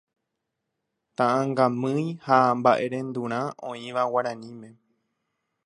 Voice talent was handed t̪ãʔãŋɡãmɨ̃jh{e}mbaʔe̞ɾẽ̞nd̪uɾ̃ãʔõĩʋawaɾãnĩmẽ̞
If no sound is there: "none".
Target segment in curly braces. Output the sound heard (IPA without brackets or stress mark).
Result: a